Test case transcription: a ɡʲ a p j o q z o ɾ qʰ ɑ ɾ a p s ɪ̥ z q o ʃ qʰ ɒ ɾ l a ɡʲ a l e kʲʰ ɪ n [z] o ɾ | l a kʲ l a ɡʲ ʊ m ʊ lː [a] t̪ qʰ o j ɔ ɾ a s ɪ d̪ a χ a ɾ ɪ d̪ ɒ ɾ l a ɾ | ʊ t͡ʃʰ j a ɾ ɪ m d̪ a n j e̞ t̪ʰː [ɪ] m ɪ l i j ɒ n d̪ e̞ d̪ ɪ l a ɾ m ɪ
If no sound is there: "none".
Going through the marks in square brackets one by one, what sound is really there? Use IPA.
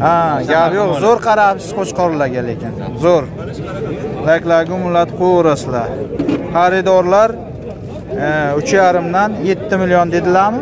z, a, ɪ

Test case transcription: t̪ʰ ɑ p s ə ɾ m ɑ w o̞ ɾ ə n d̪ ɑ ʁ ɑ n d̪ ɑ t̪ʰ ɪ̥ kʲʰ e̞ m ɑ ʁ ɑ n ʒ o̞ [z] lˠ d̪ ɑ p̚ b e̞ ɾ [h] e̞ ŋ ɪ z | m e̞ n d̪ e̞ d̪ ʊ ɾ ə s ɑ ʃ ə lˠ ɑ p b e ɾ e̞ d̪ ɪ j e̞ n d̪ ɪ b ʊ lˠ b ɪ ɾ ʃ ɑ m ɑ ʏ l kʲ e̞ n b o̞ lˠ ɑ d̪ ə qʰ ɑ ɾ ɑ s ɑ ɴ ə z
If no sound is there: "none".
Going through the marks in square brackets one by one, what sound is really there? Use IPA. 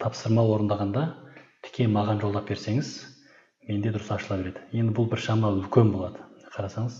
none, s

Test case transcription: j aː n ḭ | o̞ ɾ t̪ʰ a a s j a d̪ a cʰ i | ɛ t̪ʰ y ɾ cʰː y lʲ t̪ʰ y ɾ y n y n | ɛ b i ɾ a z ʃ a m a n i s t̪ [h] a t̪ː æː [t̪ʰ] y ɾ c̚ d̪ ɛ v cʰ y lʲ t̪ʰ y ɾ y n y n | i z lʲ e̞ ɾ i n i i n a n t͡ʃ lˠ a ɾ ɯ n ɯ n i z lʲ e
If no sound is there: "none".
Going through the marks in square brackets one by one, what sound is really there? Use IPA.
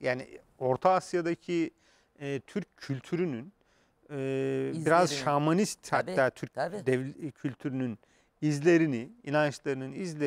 h, t̪ʰ

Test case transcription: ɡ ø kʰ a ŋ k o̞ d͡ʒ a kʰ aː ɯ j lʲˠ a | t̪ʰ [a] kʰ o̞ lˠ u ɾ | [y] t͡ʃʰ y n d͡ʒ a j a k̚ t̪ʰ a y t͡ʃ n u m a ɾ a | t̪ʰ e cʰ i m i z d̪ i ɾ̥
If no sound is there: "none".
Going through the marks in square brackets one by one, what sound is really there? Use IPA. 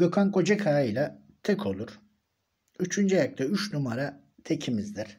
ɛ, y

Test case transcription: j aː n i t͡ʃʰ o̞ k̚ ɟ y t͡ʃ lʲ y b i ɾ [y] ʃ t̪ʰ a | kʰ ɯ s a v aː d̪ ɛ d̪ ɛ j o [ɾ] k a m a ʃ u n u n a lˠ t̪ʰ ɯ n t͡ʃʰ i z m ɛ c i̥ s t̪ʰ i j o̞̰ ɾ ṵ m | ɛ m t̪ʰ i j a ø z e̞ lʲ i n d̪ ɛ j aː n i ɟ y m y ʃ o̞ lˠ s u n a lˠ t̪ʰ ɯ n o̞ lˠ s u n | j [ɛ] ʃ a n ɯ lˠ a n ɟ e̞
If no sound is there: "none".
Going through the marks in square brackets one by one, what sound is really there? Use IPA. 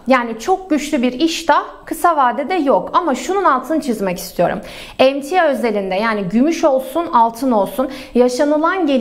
i, none, a

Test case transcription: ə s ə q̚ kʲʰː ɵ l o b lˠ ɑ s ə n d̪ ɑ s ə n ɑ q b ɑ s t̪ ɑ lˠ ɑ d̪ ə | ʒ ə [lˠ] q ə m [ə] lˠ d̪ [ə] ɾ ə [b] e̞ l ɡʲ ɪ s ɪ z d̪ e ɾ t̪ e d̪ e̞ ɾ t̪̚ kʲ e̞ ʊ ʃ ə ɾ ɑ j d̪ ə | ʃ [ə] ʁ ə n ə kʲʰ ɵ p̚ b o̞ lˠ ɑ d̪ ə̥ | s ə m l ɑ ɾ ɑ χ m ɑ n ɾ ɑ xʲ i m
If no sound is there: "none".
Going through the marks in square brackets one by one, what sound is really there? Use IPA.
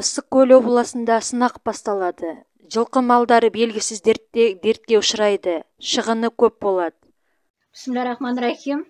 lˠ, ɑ, ɑ, b, ə

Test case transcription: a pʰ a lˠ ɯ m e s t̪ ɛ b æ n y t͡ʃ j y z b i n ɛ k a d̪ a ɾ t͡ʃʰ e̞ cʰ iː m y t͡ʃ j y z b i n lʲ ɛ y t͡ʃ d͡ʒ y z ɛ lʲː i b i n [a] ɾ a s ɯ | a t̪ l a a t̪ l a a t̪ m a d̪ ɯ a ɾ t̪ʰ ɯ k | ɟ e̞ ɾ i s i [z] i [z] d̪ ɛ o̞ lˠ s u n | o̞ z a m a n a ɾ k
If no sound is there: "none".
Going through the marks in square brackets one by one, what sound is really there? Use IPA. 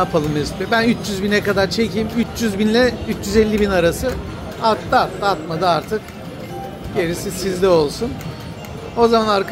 a, s, z

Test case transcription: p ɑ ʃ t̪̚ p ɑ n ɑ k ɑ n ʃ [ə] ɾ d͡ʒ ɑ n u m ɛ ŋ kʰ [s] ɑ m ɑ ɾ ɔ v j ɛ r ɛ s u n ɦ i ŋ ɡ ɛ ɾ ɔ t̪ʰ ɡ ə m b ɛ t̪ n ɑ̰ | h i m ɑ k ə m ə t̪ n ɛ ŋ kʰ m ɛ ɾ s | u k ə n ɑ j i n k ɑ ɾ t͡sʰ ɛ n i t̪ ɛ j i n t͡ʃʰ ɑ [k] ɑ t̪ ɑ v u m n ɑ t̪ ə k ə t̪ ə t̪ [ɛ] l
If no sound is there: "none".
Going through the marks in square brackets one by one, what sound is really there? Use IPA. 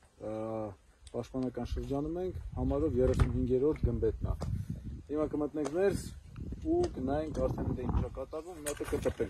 ə, h, k, ɛ

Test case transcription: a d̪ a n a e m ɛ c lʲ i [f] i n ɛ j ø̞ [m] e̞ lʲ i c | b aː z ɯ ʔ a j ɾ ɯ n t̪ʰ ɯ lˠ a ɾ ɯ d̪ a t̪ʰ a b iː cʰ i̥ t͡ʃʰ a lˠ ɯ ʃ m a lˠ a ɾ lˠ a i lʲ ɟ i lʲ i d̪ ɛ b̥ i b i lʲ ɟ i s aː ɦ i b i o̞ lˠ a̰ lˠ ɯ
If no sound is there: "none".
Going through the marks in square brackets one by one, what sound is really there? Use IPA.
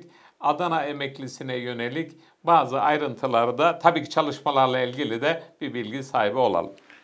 s, n

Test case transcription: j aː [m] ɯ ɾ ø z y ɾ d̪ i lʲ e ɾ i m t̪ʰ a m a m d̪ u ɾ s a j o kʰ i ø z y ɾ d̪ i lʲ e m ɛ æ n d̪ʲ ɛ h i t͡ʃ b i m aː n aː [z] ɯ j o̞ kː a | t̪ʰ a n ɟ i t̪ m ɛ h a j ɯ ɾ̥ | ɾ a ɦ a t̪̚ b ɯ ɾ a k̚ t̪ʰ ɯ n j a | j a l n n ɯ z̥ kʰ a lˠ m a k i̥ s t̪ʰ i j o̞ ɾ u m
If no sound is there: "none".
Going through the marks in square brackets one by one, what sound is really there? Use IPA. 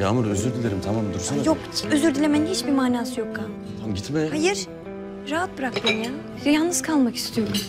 m, s

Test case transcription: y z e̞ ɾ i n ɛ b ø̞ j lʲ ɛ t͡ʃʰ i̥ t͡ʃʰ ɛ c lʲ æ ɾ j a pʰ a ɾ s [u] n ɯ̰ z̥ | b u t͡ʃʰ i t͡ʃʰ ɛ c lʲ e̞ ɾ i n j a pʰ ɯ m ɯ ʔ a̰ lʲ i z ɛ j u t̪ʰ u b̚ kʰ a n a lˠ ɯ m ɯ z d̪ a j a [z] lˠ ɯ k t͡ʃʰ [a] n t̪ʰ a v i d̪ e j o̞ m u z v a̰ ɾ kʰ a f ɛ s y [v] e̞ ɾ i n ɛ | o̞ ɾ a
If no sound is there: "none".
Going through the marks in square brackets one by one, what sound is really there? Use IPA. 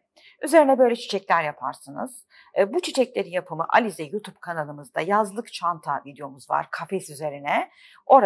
ɯ, z, a, z

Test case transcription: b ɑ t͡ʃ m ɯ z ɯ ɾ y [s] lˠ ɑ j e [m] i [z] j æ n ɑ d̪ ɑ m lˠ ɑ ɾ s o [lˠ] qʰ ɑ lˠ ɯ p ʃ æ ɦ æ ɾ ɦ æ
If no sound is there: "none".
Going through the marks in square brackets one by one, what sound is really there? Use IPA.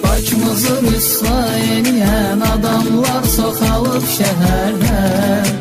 s, n, none, none

